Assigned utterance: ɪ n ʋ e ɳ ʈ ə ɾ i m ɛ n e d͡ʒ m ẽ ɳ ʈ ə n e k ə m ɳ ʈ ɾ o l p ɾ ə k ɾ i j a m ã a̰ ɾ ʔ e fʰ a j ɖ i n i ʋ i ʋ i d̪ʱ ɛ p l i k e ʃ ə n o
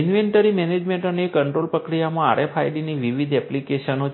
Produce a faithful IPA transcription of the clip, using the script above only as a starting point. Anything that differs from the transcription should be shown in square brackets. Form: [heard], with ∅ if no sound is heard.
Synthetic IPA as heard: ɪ n ʋ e ɳ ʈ ə ɾ i m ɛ n e d͡ʒ m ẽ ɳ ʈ ə n e k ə [∅] ɳ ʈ ɾ o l p ɾ ə k ɾ i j a m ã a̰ ɾ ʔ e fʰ a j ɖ i n i ʋ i ʋ i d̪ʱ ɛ p l i k e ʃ ə n o

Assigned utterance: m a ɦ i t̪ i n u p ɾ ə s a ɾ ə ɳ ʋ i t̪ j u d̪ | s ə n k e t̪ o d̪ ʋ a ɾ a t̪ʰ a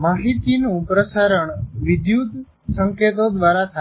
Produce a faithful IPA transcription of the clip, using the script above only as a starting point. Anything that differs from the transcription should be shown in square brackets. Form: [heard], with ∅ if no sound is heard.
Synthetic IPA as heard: m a ɦ i t̪ i n u p ɾ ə s a ɾ ə ɳ ʋ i [d̪] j u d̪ | s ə [ŋ] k e t̪ o d̪ ʋ a ɾ a t̪ʰ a

